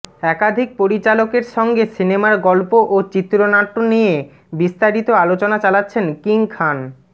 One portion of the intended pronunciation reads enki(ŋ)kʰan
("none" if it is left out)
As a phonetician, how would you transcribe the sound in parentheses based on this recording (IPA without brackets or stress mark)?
ŋ